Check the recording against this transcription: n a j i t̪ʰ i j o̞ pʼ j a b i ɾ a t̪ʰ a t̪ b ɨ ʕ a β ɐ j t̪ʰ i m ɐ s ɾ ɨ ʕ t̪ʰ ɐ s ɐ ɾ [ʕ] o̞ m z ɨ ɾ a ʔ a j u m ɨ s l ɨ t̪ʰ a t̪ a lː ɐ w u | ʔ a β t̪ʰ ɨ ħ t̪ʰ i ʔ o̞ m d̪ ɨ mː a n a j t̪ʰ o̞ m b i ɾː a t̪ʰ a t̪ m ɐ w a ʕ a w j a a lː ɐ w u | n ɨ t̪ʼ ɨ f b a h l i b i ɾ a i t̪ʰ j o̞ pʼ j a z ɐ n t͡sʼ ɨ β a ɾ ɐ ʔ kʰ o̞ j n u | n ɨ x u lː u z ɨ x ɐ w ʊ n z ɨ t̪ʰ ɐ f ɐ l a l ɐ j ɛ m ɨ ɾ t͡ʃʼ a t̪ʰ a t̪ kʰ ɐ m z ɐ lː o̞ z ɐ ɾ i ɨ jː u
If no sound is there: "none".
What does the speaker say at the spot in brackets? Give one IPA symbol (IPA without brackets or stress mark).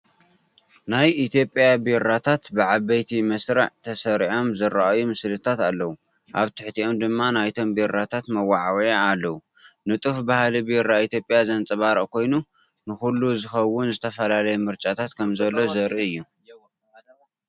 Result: ʕ